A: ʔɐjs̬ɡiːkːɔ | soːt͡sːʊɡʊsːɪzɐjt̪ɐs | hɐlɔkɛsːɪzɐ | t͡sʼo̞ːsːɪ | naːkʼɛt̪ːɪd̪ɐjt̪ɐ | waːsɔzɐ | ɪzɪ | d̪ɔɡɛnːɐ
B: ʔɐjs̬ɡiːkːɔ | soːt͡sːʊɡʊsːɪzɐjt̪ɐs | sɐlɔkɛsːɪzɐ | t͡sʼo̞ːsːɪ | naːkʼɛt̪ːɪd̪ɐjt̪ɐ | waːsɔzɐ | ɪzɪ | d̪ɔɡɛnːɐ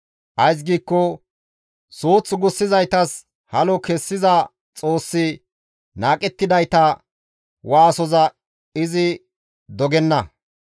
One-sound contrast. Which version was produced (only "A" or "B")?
A